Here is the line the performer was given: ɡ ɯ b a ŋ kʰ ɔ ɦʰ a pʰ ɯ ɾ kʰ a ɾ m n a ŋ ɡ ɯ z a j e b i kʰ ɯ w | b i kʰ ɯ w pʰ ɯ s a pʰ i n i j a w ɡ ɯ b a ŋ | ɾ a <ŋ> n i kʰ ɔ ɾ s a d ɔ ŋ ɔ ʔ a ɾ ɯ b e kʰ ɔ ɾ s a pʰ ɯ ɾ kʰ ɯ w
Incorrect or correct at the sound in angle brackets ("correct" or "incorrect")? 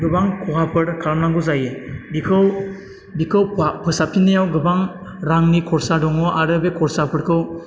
correct